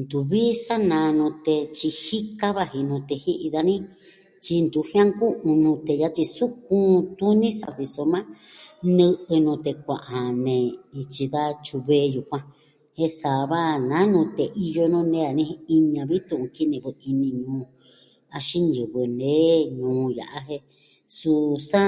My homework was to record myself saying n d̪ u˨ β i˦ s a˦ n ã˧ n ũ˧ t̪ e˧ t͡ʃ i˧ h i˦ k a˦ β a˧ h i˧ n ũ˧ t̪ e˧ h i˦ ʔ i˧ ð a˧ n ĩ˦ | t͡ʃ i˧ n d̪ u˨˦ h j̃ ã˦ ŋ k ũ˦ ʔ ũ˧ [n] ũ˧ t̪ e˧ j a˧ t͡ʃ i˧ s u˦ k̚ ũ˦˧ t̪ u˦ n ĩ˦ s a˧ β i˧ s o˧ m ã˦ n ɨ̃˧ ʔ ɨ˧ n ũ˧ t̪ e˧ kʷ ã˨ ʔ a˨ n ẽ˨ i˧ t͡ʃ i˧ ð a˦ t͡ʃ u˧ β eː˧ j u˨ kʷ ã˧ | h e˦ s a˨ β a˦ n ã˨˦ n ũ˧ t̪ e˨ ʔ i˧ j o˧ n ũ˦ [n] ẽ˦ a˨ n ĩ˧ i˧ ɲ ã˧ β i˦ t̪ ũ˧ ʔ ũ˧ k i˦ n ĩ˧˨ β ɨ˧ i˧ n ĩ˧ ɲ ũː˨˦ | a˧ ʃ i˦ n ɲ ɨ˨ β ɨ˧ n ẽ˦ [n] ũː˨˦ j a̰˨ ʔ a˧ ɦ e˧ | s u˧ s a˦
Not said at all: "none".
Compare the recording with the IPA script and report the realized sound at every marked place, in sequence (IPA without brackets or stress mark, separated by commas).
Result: n, n, ɲ